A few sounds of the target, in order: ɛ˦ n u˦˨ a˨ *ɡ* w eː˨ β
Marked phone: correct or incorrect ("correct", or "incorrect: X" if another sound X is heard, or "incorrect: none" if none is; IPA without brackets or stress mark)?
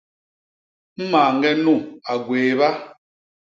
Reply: correct